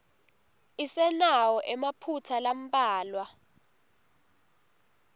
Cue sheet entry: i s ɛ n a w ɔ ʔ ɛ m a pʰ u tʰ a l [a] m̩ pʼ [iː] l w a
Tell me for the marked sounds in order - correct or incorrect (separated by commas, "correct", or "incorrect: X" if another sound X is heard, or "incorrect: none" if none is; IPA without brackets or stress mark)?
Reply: correct, incorrect: aː